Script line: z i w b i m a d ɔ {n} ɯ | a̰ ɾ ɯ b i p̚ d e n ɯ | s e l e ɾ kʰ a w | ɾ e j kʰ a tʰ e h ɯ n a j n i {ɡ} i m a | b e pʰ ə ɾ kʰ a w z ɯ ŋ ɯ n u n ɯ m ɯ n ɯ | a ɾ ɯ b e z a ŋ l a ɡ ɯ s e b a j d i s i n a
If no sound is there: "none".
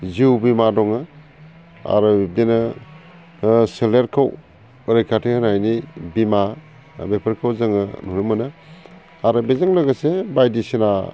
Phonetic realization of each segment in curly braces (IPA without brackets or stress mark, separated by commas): ŋ, b